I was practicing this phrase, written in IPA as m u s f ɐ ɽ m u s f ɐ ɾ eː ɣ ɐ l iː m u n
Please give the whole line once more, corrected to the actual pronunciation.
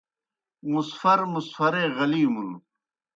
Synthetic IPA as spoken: m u s f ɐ ɾ m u s f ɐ ɾ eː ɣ ɐ l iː m u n

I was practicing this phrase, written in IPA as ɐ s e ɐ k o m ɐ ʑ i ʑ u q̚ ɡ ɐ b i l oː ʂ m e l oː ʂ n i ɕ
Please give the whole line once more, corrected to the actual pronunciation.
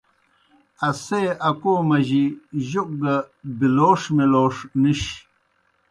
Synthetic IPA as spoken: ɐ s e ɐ k o m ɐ ʑ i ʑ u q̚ ɡ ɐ b i l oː ʂ m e l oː ʂ n i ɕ

